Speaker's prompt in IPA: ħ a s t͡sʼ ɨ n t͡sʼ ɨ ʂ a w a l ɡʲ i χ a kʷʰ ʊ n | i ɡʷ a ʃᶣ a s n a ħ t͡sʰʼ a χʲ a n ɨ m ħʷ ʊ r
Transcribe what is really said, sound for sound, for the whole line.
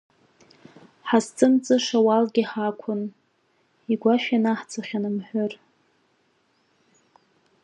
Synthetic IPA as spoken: ħ a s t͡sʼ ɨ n t͡sʼ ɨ ʂ a w a l ɡʲ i ħ a kʷʰ ʊ n | i ɡʷ a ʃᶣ a n a ħ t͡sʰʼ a χʲ a n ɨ m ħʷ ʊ r